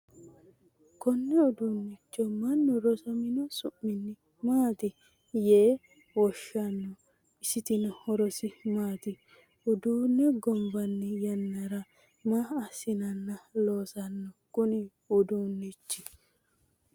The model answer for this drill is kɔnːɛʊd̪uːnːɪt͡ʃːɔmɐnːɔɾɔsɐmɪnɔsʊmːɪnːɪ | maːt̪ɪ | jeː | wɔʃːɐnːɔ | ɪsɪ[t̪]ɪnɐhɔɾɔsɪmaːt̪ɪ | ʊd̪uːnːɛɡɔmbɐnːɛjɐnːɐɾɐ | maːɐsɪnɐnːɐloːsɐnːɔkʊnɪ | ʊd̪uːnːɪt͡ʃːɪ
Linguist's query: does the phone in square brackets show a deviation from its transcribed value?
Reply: no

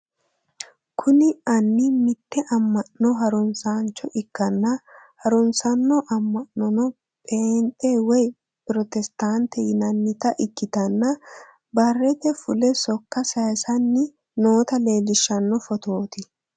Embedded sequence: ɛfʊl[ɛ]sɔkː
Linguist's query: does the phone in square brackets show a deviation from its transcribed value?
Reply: no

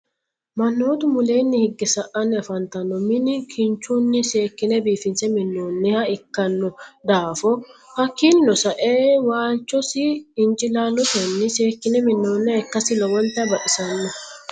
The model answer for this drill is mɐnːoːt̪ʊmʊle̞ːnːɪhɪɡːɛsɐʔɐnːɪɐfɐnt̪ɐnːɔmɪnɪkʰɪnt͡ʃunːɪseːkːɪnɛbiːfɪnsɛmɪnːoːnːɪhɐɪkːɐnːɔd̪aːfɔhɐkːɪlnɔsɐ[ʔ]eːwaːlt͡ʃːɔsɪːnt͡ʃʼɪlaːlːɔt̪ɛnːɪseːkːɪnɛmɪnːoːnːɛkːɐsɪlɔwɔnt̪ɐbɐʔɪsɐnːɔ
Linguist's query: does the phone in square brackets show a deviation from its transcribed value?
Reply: no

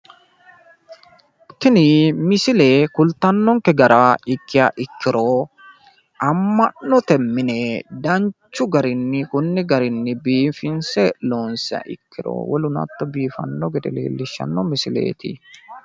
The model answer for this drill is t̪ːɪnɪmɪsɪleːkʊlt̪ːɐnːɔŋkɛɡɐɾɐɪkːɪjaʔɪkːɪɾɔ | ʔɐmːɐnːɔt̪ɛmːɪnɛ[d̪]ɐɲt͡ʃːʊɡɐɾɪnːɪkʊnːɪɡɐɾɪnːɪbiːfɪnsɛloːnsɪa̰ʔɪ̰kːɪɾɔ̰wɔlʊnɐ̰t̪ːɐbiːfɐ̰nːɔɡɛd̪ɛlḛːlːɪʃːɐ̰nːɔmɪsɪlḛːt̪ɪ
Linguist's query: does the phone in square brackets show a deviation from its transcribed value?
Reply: no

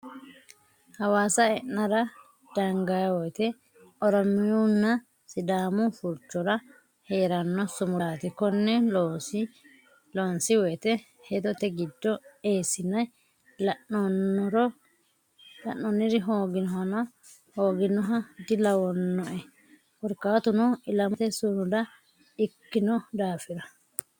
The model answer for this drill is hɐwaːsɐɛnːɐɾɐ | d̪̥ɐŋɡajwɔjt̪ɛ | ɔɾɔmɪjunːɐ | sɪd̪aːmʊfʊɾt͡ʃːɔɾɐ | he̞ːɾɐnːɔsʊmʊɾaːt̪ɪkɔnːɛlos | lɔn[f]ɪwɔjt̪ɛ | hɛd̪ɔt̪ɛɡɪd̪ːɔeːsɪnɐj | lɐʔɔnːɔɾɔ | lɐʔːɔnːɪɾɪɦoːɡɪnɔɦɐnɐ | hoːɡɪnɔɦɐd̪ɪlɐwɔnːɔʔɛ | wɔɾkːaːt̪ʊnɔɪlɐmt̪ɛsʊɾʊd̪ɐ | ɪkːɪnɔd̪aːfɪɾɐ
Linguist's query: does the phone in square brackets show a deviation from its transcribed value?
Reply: yes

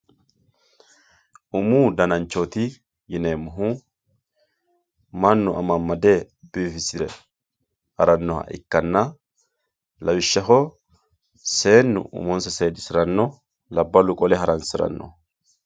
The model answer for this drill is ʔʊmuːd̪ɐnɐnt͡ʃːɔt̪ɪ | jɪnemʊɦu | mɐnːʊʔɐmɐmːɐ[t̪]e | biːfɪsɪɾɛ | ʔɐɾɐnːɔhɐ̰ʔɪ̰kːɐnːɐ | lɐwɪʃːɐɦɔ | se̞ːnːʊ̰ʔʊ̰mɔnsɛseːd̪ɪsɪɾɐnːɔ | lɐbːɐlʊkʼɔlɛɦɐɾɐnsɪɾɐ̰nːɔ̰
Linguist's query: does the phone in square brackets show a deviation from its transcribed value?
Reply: yes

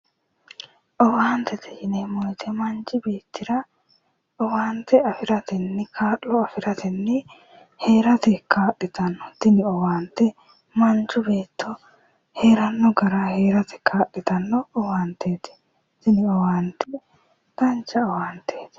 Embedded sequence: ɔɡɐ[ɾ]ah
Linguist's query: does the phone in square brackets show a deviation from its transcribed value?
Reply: no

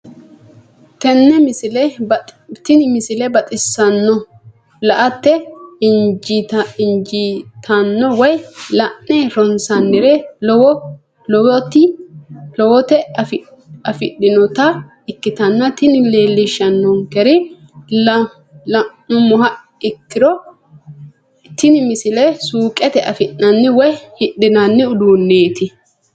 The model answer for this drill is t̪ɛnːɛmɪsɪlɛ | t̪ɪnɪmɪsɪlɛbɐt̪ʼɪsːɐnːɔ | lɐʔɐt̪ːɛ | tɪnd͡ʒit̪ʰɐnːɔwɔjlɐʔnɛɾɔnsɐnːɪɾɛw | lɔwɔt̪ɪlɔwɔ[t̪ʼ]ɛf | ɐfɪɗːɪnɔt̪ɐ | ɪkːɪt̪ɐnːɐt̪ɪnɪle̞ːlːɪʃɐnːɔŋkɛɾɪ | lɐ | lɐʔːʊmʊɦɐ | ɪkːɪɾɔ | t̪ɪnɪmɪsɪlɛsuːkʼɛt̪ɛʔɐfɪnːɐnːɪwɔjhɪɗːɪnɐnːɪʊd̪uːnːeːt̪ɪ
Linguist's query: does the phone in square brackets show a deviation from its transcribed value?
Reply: yes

